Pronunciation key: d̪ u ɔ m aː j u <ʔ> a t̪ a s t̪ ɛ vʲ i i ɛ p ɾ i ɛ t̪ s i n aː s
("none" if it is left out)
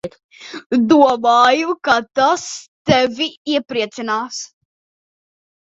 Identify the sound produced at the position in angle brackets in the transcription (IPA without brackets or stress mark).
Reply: k